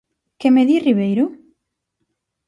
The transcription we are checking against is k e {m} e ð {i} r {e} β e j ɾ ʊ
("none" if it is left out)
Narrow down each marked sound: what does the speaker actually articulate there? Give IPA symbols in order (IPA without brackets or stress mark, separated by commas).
m, i, i